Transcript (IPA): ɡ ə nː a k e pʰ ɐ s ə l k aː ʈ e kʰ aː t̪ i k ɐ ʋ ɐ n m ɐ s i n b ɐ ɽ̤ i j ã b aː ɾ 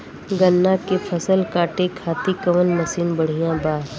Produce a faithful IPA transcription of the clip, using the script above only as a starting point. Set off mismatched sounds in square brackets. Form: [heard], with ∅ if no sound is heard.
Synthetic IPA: ɡ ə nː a k e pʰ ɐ s ə l k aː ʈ e kʰ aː t̪ i k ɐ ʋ [ə] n m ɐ s [iː] n b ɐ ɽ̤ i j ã b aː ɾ